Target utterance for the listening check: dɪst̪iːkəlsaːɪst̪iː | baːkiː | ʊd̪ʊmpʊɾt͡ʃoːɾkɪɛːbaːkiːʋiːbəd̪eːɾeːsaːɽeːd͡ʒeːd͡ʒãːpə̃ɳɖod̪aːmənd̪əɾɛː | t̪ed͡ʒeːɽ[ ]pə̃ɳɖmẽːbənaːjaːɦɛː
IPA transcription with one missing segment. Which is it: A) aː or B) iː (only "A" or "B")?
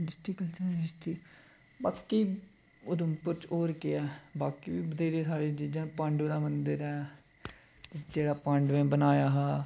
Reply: A